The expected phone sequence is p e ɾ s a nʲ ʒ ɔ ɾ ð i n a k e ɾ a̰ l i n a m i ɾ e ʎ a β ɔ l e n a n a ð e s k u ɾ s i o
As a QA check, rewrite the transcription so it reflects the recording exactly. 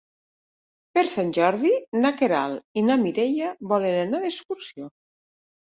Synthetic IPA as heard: p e ɾ s a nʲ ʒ ɔ ɾ ð i n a k e ɾ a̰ l i n a m i ɾ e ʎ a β ɔ l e n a n a ð e s k u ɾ s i o